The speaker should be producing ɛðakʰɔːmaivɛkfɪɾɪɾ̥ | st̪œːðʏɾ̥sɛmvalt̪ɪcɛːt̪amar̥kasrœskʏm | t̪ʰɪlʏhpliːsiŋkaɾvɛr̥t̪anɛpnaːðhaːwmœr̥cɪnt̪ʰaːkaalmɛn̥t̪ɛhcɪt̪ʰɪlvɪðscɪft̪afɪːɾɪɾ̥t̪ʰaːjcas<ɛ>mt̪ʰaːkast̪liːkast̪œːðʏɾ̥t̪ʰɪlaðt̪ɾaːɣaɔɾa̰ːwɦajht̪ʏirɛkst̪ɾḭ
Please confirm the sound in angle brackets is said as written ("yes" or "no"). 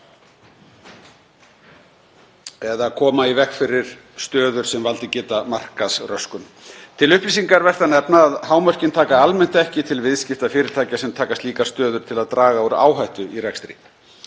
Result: yes